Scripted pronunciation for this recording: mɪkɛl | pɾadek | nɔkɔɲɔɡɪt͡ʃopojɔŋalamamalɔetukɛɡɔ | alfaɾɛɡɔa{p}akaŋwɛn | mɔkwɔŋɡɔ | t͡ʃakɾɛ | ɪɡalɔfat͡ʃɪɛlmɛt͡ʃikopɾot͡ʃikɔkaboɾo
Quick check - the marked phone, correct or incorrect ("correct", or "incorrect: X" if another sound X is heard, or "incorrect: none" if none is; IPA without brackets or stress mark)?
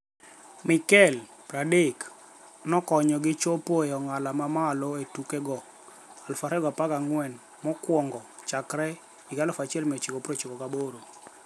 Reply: correct